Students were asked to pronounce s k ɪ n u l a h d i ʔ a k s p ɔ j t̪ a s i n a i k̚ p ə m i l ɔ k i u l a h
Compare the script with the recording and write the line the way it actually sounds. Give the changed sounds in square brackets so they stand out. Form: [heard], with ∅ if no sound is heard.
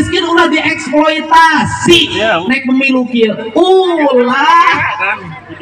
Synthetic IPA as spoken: s k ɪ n u l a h d i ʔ [ɛ] k s p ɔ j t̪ a s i n a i k̚ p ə m i l [u] k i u l a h